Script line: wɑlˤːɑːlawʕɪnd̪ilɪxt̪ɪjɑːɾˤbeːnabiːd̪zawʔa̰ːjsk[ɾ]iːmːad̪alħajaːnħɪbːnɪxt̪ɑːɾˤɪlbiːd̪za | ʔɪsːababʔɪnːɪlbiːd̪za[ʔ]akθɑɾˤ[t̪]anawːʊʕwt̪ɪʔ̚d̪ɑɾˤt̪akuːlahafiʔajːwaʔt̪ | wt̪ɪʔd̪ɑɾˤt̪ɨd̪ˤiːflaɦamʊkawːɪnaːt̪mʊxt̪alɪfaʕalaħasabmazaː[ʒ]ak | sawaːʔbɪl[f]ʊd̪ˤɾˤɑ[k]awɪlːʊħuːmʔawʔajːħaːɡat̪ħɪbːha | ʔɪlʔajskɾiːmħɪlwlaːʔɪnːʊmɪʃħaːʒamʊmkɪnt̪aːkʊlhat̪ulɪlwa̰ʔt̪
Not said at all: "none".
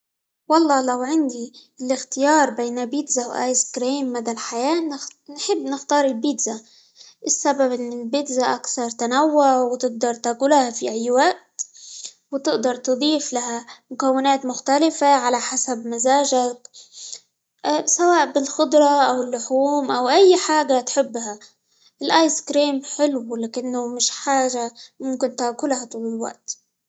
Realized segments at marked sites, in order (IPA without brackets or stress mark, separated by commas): ɾ, ʔ, t̪, ʒ, x, ʔ